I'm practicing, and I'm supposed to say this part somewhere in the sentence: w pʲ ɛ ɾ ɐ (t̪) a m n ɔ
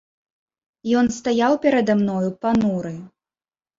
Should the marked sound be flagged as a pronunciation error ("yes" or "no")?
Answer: yes